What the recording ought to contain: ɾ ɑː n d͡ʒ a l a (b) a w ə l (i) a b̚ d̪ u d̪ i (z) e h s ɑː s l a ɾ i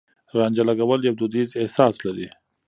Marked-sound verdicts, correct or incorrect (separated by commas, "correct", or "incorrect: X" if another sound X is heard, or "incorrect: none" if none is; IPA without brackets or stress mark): incorrect: ɡ, incorrect: j, correct